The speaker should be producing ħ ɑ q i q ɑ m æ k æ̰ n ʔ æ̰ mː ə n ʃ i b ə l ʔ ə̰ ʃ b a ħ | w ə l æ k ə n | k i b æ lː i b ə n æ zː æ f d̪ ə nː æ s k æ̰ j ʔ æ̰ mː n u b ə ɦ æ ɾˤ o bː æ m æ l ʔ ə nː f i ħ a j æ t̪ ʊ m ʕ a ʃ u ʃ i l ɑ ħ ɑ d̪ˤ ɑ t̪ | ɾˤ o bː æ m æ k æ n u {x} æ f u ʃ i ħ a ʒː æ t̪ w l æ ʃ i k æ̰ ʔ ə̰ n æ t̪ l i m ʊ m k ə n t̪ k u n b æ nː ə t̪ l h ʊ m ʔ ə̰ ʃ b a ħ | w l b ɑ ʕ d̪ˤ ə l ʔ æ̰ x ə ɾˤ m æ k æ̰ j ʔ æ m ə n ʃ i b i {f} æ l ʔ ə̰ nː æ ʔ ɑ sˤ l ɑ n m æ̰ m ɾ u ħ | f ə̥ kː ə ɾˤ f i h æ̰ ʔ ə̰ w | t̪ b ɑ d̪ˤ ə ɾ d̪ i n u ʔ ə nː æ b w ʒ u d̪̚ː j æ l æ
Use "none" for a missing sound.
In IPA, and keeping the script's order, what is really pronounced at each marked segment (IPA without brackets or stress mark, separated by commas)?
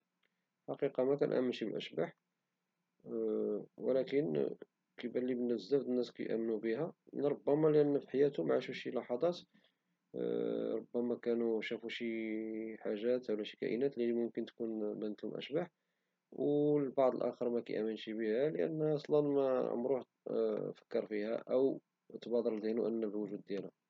ʃ, h